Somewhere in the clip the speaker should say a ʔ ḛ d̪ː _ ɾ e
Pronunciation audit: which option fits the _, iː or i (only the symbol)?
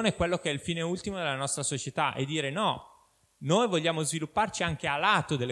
iː